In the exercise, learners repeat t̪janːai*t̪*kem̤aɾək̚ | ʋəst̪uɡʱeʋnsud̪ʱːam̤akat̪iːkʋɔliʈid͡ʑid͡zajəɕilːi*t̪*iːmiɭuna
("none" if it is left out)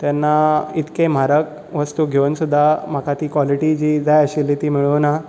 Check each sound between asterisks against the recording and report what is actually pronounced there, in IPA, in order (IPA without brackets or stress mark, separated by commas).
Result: t̪, t̪